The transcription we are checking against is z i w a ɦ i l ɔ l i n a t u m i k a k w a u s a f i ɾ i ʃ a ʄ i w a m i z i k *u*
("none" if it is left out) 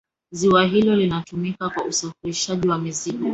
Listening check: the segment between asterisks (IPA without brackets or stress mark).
ɔ